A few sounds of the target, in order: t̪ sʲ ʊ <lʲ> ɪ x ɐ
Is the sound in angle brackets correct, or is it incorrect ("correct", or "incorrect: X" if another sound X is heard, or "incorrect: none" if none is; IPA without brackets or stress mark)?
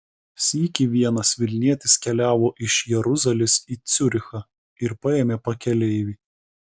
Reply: incorrect: ɾʲ